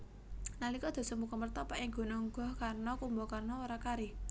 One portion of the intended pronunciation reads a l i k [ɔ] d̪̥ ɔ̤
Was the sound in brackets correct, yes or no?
yes